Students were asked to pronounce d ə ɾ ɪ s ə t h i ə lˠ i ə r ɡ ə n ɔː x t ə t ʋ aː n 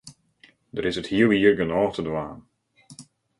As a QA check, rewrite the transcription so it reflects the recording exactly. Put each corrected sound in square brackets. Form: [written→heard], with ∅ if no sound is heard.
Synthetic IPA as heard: d ə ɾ ɪ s ə t h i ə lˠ i ə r ɡ ə n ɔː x t ə [t→d] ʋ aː n

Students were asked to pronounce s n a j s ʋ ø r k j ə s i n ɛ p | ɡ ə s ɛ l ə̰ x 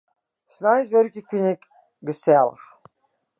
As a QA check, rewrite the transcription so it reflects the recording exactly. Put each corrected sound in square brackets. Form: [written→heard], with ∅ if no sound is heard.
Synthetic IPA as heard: s n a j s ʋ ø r k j ə [s→f] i n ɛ [p→k] | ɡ ə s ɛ l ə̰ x

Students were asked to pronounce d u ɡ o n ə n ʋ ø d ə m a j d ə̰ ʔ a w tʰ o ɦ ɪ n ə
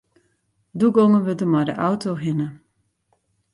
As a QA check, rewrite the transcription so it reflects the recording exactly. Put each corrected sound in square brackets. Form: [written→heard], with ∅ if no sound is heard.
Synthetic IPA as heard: d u ɡ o [n→ŋ] ə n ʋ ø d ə m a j d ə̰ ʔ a w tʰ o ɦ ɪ n ə

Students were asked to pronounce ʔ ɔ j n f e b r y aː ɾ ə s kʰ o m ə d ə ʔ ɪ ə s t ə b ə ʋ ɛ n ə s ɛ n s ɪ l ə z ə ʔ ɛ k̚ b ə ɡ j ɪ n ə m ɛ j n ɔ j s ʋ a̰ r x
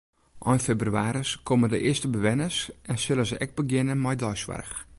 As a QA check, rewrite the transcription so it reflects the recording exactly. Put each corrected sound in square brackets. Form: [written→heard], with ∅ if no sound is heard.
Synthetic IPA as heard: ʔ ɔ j n f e b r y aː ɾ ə s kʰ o m ə d ə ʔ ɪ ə s t ə b ə ʋ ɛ n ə s ɛ n s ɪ l ə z ə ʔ ɛ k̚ b ə ɡ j ɪ n ə m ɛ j [n→d] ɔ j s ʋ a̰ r x

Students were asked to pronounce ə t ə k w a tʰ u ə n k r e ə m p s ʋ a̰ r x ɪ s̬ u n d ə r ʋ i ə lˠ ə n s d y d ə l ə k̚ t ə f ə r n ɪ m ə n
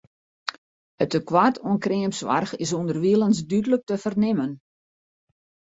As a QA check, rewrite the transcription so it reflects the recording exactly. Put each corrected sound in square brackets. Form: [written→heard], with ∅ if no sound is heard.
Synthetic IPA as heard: ə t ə k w a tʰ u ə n k r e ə m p s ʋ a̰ r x ɪ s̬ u n d ə r ʋ i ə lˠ ə n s d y d ə l ə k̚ t ə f ə r n ɪ m ə n

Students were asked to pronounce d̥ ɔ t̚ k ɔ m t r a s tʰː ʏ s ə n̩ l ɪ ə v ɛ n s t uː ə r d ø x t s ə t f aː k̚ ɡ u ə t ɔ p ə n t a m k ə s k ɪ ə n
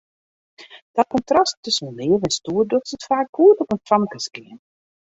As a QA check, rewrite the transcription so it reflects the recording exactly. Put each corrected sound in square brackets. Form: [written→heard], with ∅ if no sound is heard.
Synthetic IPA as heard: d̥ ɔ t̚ k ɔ [m→n] t r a s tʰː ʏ s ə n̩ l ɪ ə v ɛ n s t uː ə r d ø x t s ə t f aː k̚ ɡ u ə t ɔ p ə n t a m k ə s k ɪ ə n

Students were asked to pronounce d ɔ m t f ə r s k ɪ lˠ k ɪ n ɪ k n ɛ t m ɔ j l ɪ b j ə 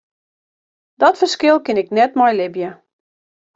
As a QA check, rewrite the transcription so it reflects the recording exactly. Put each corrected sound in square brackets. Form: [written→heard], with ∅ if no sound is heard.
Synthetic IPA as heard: d ɔ [m→∅] t f ə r s k ɪ lˠ k ɪ n ɪ k n ɛ t m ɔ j l ɪ b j ə

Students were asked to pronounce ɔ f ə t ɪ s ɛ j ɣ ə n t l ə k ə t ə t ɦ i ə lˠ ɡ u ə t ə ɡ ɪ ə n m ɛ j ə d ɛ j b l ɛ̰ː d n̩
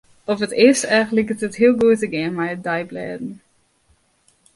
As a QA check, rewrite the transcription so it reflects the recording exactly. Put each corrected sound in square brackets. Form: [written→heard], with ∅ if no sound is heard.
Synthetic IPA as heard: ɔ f ə t ɪ s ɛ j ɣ ə n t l ə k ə t ə t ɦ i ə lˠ ɡ u ə t ə ɡ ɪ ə n m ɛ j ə d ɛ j b l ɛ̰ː d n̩

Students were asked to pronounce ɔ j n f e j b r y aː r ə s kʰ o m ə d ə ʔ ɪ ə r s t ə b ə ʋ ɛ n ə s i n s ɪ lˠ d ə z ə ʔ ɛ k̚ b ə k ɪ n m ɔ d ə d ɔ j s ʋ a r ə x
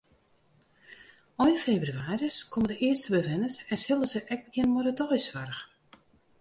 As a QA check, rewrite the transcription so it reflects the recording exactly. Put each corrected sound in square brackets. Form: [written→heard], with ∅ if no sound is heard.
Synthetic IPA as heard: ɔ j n f e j b r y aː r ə s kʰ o m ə d ə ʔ ɪ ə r s t ə b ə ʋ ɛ n ə s [i→ɛ] n s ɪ lˠ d ə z ə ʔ ɛ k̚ b ə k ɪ n m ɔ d ə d ɔ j s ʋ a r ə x

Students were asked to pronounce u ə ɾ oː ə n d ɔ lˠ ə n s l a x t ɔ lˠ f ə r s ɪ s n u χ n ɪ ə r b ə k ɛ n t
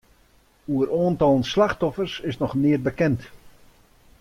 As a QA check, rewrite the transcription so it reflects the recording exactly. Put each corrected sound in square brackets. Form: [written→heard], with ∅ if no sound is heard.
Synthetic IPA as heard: u ə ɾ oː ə n [d→t] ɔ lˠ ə n s l a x t ɔ [lˠ→∅] f ə r s ɪ s n [u→ɔ] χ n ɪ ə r b ə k ɛ n t

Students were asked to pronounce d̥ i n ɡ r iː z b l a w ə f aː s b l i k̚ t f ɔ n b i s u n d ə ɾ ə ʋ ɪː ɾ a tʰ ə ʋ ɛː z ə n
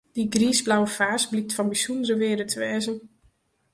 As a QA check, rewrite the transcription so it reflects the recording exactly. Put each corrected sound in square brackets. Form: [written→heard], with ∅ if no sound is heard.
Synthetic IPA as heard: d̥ i [n→∅] ɡ r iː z b l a w ə f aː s b l i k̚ t f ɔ n b i s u n d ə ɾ ə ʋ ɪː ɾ [a→ə] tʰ ə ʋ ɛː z ə n

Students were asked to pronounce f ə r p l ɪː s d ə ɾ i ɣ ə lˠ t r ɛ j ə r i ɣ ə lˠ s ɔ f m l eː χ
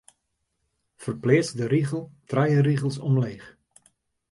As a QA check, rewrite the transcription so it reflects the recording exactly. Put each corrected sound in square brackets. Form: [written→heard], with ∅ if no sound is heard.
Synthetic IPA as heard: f ə r p l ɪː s d ə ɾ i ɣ ə lˠ t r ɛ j ə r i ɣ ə lˠ s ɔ [f→∅] m l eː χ

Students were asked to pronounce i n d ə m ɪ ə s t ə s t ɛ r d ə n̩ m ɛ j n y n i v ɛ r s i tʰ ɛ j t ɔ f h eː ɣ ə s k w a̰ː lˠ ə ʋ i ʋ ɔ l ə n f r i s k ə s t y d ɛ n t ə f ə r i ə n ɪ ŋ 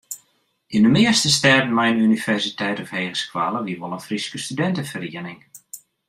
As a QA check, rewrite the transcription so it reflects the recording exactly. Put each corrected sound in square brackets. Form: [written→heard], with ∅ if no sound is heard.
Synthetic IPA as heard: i n d ə m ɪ ə s t ə s t ɛ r d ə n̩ m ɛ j n y n i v ɛ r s i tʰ ɛ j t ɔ f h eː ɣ ə s k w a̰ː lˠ ə ʋ i ʋ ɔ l ə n f r i s k ə s t y d ɛ n t ə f ə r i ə n ɪ ŋ

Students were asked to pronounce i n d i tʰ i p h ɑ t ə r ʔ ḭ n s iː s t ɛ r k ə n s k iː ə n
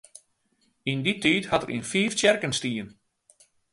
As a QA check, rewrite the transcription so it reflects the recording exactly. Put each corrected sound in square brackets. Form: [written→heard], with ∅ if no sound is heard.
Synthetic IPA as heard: i n d i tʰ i [p→t] h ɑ t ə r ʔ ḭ n [s→f] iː [s→f] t ɛ r k ə n s [k→t] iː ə n

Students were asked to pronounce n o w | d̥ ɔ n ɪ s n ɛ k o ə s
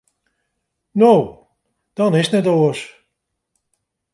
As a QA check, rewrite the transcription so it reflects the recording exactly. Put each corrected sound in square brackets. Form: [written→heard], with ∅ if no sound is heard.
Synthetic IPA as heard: n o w | d̥ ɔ n ɪ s n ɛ [k→t] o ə s

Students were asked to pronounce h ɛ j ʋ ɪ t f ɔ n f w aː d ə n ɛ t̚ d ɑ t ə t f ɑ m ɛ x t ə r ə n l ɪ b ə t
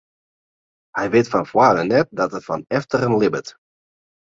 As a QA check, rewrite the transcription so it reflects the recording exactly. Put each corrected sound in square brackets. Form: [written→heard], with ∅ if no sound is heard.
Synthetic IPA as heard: h ɛ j ʋ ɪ t f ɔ n f w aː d ə n ɛ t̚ d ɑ t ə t f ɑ [m→n] ɛ [x→f] t ə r ə n l ɪ b ə t

